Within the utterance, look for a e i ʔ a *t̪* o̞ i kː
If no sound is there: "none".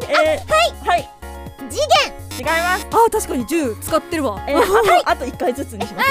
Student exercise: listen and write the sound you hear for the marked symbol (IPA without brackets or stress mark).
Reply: t̪